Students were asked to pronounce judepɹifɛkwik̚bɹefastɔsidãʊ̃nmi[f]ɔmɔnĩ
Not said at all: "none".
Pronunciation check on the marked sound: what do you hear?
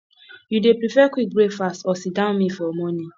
f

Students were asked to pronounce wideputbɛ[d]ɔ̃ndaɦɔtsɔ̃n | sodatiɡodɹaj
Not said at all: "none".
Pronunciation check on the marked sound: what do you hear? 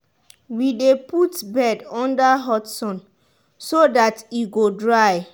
d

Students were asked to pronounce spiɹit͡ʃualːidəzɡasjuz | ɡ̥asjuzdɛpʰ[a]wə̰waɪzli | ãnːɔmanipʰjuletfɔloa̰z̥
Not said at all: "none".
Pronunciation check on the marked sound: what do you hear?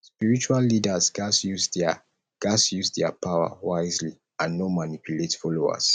a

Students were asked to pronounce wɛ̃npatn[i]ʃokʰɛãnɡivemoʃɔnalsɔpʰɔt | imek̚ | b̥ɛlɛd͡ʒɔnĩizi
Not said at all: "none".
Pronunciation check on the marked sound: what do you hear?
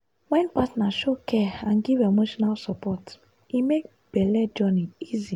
a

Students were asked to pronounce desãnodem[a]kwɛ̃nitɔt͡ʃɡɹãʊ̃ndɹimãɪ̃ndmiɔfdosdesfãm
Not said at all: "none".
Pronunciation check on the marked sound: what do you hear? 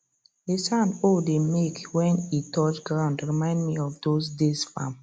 e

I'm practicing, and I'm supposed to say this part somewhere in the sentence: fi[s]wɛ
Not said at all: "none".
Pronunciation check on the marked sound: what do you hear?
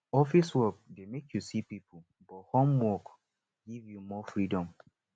s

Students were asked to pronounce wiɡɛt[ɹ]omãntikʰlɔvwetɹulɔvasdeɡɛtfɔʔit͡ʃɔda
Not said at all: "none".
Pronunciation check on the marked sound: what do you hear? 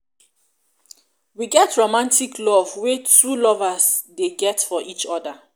ɹ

